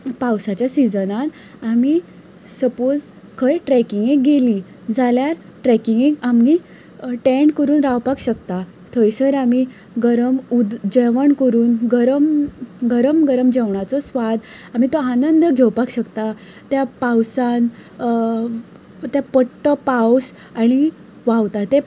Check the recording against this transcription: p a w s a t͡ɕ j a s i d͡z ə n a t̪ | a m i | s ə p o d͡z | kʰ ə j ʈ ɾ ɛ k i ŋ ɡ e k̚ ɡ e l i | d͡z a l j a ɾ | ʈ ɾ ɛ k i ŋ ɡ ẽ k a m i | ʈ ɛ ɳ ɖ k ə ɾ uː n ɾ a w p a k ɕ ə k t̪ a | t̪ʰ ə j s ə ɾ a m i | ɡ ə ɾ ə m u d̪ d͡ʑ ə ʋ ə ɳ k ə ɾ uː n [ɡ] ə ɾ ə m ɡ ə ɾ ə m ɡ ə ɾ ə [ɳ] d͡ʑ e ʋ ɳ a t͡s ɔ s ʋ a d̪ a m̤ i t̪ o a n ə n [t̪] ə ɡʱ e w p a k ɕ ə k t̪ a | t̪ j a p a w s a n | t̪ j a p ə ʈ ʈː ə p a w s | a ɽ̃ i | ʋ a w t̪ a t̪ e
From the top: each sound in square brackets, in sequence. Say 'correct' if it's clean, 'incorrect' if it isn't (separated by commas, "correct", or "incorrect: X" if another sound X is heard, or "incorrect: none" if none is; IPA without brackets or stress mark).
correct, incorrect: m, incorrect: d̪